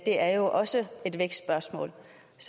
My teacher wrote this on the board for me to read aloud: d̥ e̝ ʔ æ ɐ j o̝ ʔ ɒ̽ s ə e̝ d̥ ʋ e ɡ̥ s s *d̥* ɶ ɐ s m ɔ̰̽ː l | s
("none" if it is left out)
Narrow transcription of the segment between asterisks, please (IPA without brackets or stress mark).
b̥